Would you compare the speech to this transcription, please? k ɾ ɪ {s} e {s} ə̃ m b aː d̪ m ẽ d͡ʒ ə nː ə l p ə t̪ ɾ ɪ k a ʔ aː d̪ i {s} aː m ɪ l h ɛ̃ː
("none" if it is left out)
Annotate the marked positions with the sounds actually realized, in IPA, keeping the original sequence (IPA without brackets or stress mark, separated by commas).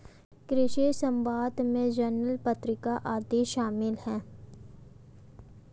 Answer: ʃ, s, ʃ